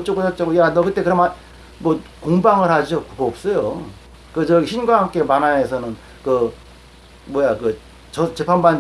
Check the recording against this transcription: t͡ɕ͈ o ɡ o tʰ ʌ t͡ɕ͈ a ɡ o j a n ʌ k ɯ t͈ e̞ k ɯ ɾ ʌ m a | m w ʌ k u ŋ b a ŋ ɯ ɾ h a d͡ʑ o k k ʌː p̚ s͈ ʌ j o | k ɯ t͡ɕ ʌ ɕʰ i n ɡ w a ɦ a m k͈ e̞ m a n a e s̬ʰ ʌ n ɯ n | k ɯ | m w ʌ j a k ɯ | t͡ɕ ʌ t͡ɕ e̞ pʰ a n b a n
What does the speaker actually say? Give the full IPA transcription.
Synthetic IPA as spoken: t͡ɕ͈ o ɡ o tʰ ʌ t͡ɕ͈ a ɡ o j a n ʌ k ɯ t͈ e̞ k ɯ ɾ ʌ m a | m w ʌ k o ŋ b a ŋ ɯ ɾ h a d͡ʑ o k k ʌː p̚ s͈ ʌ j o | k ɯ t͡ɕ ʌ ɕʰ i n ɡ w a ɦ a m k͈ e̞ m a n a e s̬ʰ ʌ n ɯ n | k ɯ | m w ʌ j a k ɯ | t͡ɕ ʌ t͡ɕ e̞ pʰ a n b a n